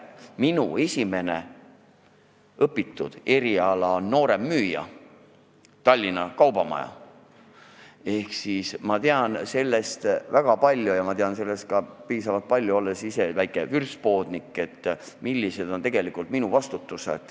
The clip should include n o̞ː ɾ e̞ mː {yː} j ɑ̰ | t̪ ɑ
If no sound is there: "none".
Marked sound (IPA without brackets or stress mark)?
yː